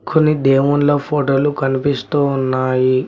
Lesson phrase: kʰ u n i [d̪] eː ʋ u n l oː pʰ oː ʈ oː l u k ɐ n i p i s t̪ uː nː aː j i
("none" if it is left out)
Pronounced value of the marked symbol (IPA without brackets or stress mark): d̪